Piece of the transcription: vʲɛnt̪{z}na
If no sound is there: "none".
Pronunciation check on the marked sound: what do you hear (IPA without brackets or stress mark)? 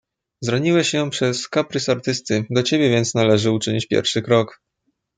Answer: s